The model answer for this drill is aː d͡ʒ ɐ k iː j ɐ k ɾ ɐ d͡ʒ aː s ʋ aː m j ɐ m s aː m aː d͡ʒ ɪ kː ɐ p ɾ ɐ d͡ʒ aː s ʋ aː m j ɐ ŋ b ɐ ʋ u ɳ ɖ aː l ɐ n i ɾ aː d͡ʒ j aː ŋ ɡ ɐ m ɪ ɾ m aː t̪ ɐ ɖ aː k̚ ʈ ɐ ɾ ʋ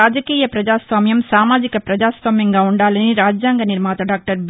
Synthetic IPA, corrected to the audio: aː d͡ʒ ɐ k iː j ɐ p ɾ ɐ d͡ʒ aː s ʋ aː m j ɐ m s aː m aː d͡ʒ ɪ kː ɐ p ɾ ɐ d͡ʒ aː s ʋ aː m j ɐ ŋ ɡ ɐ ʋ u ɳ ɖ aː l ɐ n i ɾ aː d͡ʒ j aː ŋ ɡ ɐ n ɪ ɾ m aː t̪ ɐ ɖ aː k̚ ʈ ɐ ɾ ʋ

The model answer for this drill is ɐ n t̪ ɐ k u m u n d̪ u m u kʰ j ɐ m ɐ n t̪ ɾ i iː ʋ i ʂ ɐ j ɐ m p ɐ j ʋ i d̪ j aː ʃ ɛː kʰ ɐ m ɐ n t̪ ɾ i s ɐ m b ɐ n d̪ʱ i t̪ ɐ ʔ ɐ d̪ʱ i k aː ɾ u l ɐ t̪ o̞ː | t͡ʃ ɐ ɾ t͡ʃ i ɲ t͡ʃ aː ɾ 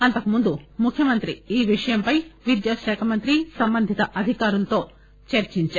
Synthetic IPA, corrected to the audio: ɐ n t̪ ɐ k u m u n d̪ u m u kʰ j ɐ m ɐ n t̪ ɾ i iː ʋ i ʂ ɐ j ɐ m p ɐ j ʋ i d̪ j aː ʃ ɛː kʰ ɐ m ɐ n t̪ ɾ i s ɐ m b ɐ n d̪ʱ i t̪ ɐ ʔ ɐ d̪ʱ i k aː ɾ u l ɐ t̪ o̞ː | t͡ʃ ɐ ɾ t͡ʃ i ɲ t͡ʃ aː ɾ

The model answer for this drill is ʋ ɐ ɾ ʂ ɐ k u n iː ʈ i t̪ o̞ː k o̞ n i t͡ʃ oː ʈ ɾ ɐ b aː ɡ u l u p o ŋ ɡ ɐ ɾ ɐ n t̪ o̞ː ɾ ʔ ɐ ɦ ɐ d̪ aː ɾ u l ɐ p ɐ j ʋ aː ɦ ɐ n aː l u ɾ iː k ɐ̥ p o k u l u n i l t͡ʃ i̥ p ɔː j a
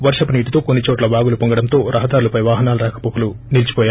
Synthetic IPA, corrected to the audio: ʋ ɐ ɾ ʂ ɐ p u n iː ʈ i t̪ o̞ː k o̞ nː i t͡ʃ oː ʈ l ɐ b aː ɡ u l u p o ŋ ɡ ɐ ɽ ɐ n t̪ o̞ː ɾ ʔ ɐ ɦ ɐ d̪ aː ɾ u l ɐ p ɐ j ʋ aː ɦ ɐ n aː l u ɾ aː k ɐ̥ p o k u l u n i l t͡ʃ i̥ p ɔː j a

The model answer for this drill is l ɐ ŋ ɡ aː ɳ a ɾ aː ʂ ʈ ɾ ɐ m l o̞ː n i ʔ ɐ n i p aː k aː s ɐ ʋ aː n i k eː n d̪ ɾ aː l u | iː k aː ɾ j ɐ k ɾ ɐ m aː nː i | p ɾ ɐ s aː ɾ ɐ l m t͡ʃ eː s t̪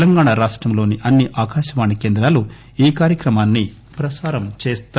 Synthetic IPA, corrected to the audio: l ɐ ŋ ɡ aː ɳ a ɾ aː ʂ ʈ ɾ ɐ m l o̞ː n i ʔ ɐ nː i ʔ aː k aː ʃ ɐ ʋ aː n i k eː n d̪ ɾ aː l u | iː k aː ɾ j ɐ k ɾ ɐ m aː nː i | p ɾ ɐ s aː ɾ ɐ m t͡ʃ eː s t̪

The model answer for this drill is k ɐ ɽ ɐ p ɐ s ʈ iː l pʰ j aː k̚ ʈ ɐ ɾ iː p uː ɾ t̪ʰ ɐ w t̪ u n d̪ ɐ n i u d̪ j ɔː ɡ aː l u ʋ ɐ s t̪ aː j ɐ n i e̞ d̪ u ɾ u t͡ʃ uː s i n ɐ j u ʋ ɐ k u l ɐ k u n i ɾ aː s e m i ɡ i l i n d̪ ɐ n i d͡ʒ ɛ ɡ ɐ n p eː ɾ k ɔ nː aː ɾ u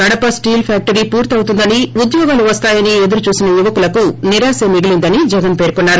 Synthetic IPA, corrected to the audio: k ɐ ɽ ɐ p ɐ s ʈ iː l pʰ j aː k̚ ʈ ɐ ɾ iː p uː ɾ t̪ ɐ w t̪ u n d̪ ɐ n i u d̪ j ɔː ɡ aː l u ʋ ɐ s t̪ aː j ɐ n i e̞ d̪ u ɾ u t͡ʃ uː s i n ɐ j u ʋ ɐ k u l ɐ k u n i ɾ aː s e m i ɡ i l i n d̪ ɐ n i d͡ʒ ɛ ɡ ɐ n p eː ɾ k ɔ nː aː ɾ u

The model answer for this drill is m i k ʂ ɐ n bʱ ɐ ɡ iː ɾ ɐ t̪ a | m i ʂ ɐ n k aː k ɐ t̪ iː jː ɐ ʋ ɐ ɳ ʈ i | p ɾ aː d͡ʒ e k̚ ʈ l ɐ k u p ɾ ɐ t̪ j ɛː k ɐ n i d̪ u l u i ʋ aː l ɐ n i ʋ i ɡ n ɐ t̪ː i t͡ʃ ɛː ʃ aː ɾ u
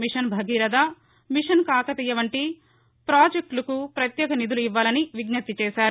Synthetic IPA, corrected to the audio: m i ʂ ɐ n bʱ ɐ ɡ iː ɾ ɐ d̪ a | m i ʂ ɐ n k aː k ɐ t̪ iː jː ɐ ʋ ɐ ɳ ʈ i | p ɾ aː d͡ʒ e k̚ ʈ l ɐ k u p ɾ ɐ t̪ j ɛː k ɐ n i d̪ u l u i ʋː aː l ɐ n i ʋ i ɡ n ɐ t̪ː i t͡ʃ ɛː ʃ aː ɾ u

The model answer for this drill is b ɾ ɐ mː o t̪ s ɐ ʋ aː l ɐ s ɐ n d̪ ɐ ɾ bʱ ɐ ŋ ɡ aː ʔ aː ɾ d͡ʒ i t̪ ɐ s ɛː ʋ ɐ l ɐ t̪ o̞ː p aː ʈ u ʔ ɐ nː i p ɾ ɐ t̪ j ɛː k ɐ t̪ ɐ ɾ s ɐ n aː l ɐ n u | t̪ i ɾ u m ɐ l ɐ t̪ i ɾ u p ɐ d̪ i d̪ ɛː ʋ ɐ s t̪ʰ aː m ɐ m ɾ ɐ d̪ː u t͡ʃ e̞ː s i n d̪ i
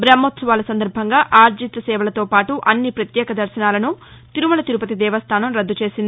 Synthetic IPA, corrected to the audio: b ɾ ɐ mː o t̪ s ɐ ʋ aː l ɐ s ɐ n d̪ ɐ ɾ bʱ ɐ ŋ ɡ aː ʔ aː ɾ d͡ʒ i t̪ ɐ s ɛː ʋ ɐ l ɐ t̪ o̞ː p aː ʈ u ʔ ɐ nː i p ɾ ɐ t̪ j ɛː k ɐ d̪ ɐ ɾ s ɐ n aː l ɐ n u | t̪ i ɾ u m ɐ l ɐ t̪ i ɾ u p ɐ t̪ i d̪ ɛː ʋ ɐ s t̪ʰ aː n ɐ m ɾ ɐ d̪ː u t͡ʃ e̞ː s i n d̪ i

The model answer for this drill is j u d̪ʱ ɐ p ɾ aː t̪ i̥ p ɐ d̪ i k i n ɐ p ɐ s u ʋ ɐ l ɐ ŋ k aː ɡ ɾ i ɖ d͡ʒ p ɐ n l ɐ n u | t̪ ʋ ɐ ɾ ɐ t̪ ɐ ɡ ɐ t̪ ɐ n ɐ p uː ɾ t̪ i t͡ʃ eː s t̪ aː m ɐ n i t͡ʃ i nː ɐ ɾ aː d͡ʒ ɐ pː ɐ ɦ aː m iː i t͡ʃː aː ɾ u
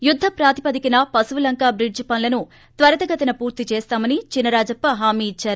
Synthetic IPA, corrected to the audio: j u d̪ʱː ɐ p ɾ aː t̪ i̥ p ɐ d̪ i k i n ɐ p ɐ s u ʋ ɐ l ɐ ŋ k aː b ɾ i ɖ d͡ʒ p ɐ n l ɐ n u | t̪ ʋ ɐ ɾ ɐ t̪ ɐ ɡ ɐ t̪ ɐ n ɐ p uː ɾ t̪ i t͡ʃ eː s t̪ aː m ɐ n i t͡ʃ i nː ɐ ɾ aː d͡ʒ ɐ pː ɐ ɦ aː m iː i t͡ʃː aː ɾ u

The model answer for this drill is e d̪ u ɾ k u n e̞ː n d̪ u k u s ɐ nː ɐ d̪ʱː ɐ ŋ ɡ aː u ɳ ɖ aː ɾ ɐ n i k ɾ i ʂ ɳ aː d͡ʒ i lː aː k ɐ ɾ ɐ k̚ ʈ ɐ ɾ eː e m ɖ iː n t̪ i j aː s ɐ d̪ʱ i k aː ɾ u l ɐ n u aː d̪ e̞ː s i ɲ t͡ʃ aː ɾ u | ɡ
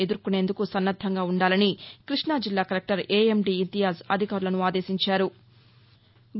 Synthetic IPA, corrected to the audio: e d̪ u ɾ k u n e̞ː n d̪ u k u s ɐ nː ɐ d̪ʱː ɐ ŋ ɡ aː u ɳ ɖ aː l ɐ n i k ɾ i ʂ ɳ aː d͡ʒ i lː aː k ɐ ɾ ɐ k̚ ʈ ɐ ɾ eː e m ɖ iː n t̪ i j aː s ɐ d̪ʱ i k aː ɾ u l ɐ n u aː d̪ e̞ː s i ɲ t͡ʃ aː ɾ u | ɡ

